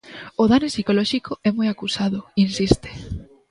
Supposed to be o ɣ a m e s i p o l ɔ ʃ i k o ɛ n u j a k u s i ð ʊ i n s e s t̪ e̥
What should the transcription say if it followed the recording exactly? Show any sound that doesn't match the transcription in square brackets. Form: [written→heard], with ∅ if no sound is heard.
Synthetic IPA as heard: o [ɣ→ð] a [m→n] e s i [p→k] o l ɔ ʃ i k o ɛ [n→m] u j a k u s [i→a] ð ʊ i n s [e→i] s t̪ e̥